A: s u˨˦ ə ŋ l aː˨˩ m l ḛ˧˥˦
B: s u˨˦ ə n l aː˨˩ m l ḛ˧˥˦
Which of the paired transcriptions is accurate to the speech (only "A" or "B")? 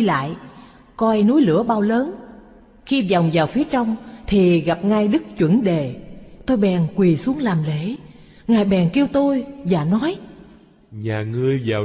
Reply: A